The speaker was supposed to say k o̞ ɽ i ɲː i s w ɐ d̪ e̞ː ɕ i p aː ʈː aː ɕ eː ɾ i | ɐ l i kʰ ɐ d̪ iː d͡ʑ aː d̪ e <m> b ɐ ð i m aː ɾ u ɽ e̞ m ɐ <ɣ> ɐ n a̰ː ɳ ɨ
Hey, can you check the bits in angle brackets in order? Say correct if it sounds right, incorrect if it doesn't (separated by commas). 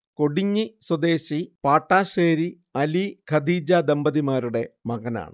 correct, correct